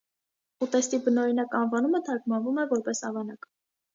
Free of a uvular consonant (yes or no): yes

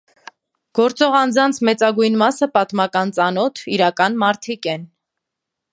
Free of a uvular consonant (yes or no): no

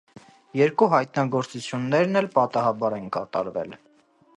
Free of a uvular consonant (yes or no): yes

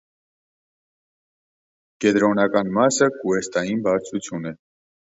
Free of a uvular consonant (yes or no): yes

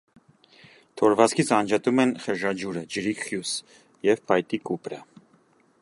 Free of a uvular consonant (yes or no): no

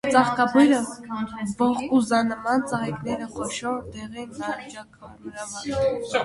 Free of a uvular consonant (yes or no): no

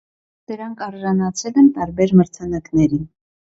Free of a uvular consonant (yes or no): yes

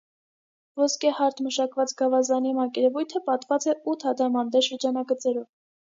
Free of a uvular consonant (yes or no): yes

